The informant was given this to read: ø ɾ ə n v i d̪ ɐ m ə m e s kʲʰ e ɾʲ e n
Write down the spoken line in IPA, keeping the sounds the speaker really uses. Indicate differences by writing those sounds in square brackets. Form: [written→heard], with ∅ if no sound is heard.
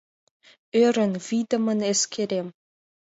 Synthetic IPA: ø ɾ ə n v i d̪ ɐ m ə [m→n] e s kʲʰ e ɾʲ e [n→m]